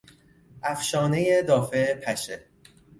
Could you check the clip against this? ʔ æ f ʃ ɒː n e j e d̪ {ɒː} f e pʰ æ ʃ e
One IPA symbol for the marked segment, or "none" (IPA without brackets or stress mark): ɒː